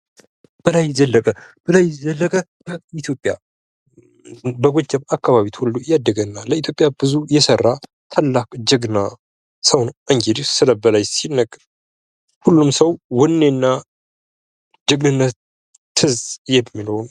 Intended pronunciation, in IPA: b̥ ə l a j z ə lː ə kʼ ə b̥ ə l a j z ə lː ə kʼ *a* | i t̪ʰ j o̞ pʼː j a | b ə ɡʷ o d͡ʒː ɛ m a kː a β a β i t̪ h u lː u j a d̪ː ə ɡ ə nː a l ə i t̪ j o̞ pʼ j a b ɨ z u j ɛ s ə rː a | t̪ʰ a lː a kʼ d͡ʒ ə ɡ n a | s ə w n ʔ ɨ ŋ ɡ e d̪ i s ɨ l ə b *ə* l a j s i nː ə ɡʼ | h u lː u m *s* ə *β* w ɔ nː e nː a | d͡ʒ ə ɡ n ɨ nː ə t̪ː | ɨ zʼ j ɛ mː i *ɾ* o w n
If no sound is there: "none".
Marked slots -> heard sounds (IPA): ə, ə, s, w, l

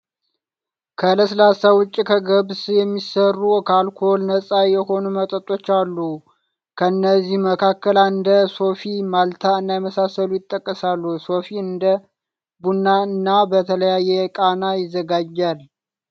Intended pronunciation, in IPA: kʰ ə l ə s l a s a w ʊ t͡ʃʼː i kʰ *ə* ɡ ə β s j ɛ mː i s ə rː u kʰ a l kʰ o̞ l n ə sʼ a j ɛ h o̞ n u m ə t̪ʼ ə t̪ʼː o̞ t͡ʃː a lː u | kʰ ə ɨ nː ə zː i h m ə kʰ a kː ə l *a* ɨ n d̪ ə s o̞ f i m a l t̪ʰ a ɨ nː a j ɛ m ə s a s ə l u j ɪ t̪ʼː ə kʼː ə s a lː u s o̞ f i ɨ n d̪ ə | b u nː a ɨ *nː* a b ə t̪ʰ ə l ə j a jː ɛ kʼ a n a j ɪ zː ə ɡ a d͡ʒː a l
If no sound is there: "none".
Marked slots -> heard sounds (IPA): ə, a, nː

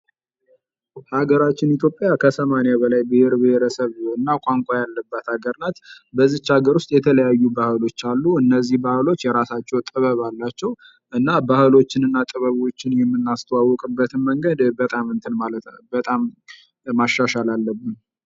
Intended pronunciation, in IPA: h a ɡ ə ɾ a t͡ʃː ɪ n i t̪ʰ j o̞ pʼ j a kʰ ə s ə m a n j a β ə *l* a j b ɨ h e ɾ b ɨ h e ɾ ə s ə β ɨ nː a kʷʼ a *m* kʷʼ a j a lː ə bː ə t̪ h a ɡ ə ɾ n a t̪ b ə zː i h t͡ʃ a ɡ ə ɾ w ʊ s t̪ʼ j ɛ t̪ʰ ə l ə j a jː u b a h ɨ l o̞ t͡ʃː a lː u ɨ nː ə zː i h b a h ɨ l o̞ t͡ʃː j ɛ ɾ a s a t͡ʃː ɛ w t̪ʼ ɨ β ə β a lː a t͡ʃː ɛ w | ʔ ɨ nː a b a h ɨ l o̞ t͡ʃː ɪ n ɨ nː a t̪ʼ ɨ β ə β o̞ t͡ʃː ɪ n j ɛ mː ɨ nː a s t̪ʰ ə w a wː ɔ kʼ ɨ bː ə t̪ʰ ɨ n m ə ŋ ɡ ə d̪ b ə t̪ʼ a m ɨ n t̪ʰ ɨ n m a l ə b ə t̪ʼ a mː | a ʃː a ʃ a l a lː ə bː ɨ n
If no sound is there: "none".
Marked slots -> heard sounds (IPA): l, ŋ

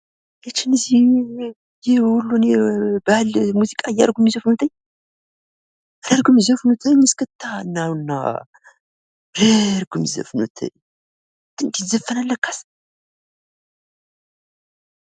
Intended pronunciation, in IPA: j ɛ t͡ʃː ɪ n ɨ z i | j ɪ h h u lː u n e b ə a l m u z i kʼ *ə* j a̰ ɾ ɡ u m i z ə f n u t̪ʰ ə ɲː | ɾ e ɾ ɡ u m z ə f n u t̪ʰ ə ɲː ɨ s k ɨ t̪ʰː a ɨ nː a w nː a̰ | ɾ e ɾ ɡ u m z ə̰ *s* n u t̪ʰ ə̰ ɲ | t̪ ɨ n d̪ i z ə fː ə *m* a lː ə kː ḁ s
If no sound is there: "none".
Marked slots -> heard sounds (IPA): a, f, n

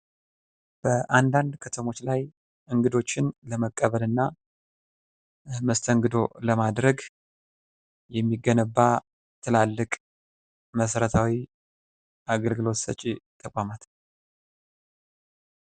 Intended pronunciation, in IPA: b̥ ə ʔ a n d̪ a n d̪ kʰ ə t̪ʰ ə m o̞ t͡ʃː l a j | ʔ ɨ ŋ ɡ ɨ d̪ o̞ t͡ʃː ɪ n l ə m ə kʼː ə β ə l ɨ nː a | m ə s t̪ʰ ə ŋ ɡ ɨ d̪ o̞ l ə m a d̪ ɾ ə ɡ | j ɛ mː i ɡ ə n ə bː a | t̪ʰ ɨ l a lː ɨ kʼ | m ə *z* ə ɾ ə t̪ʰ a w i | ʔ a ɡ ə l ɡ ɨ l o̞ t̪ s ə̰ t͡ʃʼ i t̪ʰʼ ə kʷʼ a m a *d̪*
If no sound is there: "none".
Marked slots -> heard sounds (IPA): s, t̪

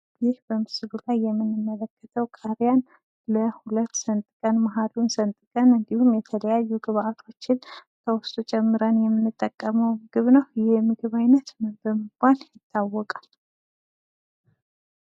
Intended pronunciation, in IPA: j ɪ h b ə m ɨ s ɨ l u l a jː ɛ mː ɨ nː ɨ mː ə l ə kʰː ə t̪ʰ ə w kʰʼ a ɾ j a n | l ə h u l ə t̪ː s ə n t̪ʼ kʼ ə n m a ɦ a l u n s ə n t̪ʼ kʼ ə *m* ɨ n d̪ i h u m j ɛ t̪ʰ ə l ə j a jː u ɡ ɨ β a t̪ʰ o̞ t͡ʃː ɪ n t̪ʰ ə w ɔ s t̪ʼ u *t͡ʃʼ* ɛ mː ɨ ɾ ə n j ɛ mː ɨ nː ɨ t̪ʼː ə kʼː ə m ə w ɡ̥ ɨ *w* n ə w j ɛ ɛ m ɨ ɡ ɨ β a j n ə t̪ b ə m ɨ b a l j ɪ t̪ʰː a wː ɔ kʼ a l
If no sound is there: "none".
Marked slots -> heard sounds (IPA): n, t͡ʃʼ, β

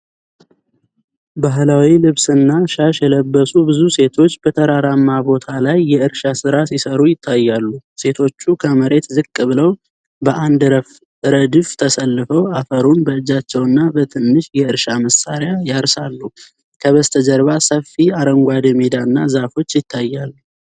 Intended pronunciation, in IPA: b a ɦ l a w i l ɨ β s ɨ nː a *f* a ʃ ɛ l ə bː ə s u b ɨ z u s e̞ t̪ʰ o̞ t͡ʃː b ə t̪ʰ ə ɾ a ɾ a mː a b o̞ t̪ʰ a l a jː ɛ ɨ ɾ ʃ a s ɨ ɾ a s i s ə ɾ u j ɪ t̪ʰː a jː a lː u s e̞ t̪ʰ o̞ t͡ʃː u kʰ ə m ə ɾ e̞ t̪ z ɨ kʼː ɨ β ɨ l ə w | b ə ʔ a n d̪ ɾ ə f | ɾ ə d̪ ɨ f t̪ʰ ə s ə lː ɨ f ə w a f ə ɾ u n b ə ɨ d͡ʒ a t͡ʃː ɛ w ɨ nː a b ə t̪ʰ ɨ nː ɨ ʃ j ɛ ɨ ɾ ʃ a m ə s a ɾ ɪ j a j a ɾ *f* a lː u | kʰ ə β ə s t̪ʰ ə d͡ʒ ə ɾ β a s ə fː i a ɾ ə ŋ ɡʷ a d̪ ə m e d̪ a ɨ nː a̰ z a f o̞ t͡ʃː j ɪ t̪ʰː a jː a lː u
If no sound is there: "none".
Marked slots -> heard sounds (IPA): ʃ, s

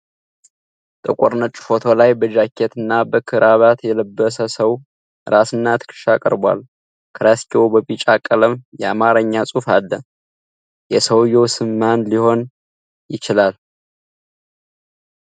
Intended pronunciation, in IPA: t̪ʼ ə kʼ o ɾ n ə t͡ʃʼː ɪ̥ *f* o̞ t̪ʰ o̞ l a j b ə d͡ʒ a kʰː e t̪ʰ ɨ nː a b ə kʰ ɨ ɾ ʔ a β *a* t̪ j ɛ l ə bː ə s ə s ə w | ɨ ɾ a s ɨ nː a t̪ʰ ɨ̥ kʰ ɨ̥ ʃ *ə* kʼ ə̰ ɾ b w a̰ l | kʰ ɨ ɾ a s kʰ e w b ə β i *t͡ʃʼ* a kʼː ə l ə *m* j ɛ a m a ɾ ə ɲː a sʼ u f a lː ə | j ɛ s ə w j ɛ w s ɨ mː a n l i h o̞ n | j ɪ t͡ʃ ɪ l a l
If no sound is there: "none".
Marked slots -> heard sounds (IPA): f, a, a, t͡ʃʼ, m

